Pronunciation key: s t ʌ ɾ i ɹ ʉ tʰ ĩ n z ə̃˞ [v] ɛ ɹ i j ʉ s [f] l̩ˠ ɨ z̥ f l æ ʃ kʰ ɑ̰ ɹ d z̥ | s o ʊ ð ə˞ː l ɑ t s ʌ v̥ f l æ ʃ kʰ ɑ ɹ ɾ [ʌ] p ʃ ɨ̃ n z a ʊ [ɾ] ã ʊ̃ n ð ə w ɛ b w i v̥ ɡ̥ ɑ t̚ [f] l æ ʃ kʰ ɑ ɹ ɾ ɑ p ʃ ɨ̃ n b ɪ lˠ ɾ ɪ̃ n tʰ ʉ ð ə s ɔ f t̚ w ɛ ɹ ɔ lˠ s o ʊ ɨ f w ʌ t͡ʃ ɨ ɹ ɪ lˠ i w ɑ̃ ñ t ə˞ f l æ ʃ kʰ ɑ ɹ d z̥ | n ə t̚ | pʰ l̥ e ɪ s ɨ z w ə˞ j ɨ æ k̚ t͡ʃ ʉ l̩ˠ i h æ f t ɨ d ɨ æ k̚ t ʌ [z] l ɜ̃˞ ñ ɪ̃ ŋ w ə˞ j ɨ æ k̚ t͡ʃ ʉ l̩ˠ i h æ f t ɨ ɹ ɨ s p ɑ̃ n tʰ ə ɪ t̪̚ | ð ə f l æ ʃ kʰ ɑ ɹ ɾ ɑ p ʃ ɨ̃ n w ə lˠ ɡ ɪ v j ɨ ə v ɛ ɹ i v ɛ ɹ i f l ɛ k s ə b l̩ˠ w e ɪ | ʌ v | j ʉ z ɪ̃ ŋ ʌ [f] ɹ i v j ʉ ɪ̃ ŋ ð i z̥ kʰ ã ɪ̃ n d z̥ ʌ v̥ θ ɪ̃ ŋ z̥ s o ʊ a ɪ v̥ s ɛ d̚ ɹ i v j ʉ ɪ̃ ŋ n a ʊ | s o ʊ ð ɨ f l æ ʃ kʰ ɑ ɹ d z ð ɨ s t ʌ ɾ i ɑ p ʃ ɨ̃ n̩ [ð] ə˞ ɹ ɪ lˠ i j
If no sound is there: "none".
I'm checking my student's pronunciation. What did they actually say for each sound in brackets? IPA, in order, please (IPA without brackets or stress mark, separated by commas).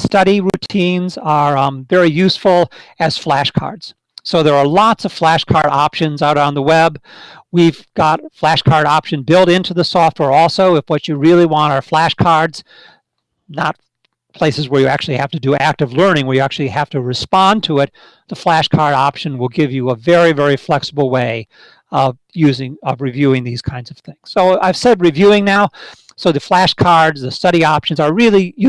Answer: v, f, ɑ, ɾ, f, v, v, z